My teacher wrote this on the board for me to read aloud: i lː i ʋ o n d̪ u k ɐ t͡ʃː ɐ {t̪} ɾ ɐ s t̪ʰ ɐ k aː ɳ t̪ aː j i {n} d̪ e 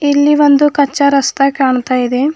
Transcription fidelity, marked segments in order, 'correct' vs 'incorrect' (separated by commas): incorrect, incorrect